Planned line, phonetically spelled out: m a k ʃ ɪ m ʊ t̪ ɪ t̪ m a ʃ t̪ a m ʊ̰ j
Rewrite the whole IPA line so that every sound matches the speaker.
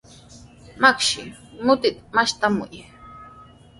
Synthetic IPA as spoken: m a k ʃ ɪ m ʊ t̪ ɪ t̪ m a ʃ t̪ a m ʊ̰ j